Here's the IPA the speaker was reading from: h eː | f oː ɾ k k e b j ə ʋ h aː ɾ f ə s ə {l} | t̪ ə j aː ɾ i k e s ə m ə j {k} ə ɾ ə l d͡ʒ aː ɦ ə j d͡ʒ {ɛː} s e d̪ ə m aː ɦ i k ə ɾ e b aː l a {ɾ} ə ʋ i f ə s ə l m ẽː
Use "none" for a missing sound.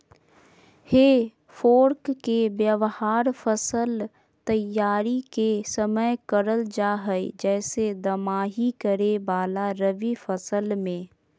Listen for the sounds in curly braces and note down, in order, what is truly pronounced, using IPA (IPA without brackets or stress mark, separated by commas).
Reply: l, k, ɛː, ɾ